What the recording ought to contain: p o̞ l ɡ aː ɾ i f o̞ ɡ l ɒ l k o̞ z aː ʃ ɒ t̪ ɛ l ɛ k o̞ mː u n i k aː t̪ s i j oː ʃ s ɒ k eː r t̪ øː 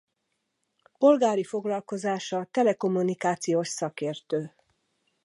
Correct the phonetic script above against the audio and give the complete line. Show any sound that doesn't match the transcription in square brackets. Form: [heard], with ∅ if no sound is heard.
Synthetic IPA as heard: p o̞ l ɡ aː ɾ i f o̞ ɡ l ɒ l k o̞ z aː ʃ ɒ t̪ ɛ l ɛ k o̞ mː u n i k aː t̪ s i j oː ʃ s ɒ k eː r t̪ øː